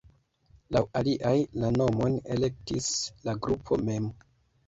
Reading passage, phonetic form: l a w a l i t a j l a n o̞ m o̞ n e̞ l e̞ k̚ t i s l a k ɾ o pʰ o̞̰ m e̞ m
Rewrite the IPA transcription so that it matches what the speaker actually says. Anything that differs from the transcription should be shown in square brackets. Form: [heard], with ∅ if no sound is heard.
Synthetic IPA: l a w a l i [ʔ] a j l a n o̞ m o̞ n e̞ l e̞ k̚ t i s l a [ɡ] ɾ [u] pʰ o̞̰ m e̞ m